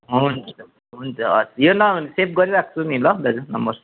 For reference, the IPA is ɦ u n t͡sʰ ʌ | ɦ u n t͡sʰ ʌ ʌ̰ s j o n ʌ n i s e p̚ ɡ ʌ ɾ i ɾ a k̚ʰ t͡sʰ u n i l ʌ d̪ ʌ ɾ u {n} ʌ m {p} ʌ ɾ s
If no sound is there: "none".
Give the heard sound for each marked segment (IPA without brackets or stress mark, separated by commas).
n, b